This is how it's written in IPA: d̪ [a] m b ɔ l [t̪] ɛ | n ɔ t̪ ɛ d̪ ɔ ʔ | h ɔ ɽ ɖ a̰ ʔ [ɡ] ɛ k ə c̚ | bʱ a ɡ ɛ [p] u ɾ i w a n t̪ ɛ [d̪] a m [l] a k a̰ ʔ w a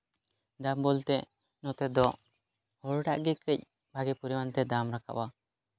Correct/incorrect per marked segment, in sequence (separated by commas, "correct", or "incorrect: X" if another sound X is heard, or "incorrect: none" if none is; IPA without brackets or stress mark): correct, correct, correct, correct, correct, incorrect: ɾ